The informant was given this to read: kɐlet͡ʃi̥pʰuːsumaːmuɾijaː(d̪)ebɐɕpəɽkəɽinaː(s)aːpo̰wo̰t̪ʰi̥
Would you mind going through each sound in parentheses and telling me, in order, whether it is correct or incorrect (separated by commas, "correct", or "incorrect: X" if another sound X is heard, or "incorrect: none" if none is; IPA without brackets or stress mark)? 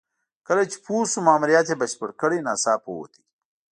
incorrect: t̪, correct